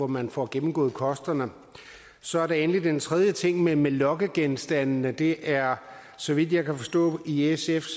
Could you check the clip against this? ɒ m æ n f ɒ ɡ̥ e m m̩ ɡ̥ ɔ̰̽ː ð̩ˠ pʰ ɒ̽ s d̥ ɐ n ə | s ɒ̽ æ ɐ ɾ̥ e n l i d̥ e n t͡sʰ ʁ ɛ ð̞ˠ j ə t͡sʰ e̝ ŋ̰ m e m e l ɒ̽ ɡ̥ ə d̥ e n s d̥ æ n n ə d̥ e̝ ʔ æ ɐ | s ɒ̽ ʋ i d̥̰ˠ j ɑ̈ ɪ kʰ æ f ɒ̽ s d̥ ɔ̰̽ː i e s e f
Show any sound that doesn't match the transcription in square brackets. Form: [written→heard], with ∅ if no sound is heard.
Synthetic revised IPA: ɒ m æ n f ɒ ɡ̥ e m m̩ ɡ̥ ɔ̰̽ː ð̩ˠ [pʰ→kʰ] ɒ̽ s d̥ ɐ n ə | s ɒ̽ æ ɐ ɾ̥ e n l i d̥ e n t͡sʰ ʁ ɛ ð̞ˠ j ə t͡sʰ e̝ ŋ̰ m e m e l ɒ̽ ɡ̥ ə [d̥→ɡ̥] e n s d̥ æ n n ə d̥ e̝ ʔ æ ɐ | s ɒ̽ ʋ i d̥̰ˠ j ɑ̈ ɪ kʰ æ f ɒ̽ s d̥ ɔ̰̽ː i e s e f